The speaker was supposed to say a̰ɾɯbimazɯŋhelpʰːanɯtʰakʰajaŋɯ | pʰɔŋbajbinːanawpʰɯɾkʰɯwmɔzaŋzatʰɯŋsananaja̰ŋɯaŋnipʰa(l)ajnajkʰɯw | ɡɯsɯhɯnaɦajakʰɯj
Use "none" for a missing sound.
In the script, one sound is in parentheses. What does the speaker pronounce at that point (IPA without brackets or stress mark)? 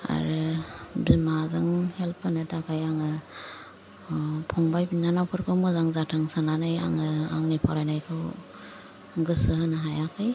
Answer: ɾ